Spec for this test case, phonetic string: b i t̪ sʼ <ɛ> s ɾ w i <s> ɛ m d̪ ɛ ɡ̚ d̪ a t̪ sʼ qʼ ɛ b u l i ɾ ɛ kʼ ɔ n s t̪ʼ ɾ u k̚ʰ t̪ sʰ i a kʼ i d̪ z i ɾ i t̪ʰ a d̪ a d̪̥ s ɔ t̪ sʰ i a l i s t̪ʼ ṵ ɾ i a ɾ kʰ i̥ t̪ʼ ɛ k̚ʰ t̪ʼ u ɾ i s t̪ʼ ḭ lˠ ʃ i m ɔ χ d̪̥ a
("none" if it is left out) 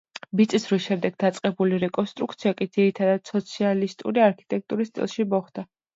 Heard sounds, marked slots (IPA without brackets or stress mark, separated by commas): i, ʃ